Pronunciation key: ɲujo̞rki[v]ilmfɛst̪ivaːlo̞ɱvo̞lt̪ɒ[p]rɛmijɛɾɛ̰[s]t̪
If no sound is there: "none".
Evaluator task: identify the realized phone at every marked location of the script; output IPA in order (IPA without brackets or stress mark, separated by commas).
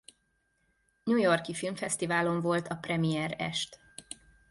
f, p, ʃ